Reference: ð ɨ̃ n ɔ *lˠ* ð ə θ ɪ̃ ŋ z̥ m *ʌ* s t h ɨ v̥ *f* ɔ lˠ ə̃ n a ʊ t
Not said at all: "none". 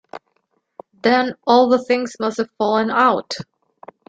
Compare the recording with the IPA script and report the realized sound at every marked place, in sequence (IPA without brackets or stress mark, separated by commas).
lˠ, ʌ, f